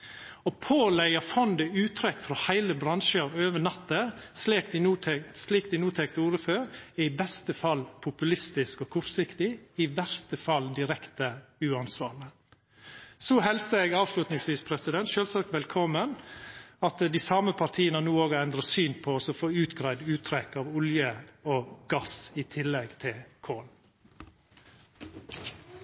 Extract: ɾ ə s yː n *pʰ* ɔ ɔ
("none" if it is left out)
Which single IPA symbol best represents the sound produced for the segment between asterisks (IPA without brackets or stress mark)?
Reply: pʰ